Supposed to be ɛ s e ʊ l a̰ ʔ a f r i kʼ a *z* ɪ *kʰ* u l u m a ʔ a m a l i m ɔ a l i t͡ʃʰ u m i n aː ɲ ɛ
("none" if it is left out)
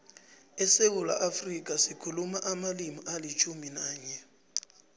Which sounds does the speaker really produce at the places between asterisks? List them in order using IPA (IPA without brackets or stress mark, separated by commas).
s, kʰ